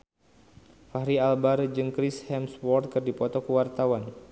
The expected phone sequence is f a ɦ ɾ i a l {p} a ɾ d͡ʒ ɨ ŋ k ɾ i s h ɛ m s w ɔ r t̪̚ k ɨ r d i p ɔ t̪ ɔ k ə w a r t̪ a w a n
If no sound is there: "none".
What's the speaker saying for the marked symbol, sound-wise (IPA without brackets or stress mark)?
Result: b